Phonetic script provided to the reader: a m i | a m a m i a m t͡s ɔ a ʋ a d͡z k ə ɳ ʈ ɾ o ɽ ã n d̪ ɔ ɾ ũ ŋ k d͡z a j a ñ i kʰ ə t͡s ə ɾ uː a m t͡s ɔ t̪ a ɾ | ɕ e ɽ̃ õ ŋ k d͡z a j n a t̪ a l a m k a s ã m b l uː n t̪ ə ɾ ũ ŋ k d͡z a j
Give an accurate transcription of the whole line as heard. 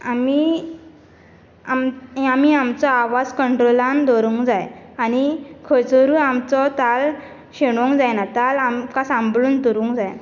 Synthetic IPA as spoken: a m i | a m a m i a m t͡s ɔ a ʋ a d͡z k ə ɳ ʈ ɾ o l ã n d̪ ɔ ɾ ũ ŋ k d͡z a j a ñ i kʰ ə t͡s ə ɾ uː a m t͡s ɔ t̪ a l | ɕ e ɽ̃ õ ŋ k d͡z a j n a t̪ a l a m k a s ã m b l uː n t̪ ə ɾ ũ ŋ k d͡z a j

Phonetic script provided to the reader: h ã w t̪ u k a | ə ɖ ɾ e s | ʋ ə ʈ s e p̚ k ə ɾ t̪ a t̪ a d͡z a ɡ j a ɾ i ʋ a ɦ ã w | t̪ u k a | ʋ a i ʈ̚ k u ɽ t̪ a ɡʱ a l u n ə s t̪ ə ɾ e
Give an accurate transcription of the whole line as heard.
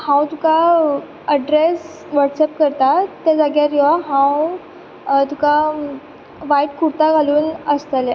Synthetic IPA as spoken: h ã w t̪ u k a | ə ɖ ɾ e s | ʋ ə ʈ s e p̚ k ə ɾ t̪ a t̪ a d͡z a ɡ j a ɾ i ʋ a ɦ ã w | t̪ u k a | ʋ a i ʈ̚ k u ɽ t̪ a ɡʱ a l uː n ə s t̪ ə l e

